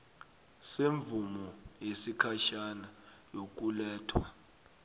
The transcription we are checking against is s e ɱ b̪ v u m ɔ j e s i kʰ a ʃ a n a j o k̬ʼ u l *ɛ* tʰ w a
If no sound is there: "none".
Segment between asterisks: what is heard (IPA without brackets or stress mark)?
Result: ɛː